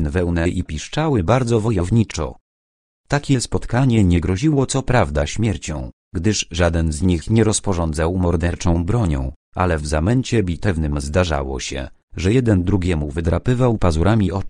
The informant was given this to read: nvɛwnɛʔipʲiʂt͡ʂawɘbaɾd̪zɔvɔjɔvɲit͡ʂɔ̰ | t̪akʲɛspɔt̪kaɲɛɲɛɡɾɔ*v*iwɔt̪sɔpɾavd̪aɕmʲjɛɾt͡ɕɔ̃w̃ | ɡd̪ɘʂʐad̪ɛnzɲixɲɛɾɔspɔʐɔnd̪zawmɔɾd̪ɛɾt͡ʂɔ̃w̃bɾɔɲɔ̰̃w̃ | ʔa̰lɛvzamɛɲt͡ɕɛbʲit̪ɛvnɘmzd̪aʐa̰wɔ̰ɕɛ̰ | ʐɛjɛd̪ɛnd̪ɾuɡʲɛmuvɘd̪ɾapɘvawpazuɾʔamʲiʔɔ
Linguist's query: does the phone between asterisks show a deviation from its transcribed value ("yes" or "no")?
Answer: yes